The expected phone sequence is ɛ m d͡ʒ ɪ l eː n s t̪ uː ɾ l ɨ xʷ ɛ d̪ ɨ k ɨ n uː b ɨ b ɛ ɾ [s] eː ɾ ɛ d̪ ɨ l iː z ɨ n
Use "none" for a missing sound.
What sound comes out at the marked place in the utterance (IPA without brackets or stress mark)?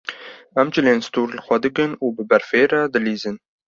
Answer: f